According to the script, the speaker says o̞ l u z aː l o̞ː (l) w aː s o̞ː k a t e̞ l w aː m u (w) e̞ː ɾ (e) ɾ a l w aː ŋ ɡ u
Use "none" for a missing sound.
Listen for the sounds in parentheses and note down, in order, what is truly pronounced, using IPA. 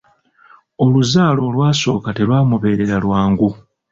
l, β, e

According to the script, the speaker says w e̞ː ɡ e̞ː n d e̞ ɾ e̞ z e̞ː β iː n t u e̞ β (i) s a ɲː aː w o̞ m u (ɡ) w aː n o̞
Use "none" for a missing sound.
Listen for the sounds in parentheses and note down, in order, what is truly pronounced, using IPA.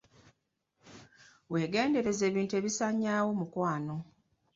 i, k

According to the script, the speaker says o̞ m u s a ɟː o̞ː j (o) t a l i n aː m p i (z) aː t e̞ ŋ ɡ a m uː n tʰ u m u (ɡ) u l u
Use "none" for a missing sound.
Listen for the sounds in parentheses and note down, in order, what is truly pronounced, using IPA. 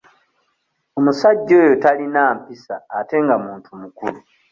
o, s, k

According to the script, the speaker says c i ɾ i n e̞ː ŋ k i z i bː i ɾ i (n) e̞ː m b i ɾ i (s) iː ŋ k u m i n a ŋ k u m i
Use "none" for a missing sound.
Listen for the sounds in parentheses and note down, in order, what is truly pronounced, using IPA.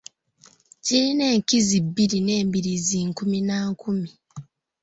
n, z

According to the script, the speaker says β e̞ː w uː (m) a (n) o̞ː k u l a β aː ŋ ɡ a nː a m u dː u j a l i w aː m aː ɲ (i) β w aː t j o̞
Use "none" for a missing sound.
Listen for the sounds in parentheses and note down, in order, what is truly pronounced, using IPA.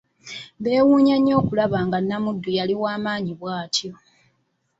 ɲ, ɲ, i

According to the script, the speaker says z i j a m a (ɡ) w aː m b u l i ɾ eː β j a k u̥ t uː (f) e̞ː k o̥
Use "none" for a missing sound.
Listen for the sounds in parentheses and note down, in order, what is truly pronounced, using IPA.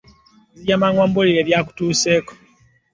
ŋ, s

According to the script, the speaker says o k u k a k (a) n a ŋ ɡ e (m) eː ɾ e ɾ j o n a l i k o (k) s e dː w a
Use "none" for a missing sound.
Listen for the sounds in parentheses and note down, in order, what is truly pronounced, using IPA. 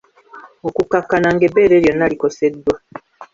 a, b, none

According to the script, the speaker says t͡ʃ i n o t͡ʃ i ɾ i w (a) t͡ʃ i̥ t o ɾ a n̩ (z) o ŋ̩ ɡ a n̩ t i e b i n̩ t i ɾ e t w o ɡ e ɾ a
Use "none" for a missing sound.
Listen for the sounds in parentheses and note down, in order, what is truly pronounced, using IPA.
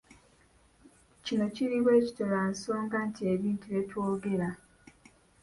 e, s

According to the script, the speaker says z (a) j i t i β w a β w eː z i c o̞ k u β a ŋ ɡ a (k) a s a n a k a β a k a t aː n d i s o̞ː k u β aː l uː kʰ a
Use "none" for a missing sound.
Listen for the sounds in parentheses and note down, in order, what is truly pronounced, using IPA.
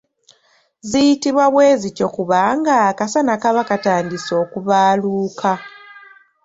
i, k

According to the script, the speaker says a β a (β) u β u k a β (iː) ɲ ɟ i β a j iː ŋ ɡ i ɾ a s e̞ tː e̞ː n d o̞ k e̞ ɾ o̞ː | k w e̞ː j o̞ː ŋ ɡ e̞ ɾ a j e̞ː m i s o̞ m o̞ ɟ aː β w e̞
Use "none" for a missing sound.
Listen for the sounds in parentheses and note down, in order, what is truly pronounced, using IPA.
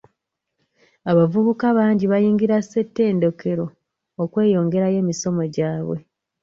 v, aː

